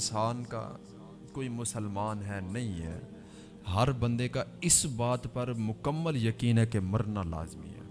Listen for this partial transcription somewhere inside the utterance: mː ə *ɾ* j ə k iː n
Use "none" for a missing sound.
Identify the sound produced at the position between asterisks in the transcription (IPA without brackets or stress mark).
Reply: l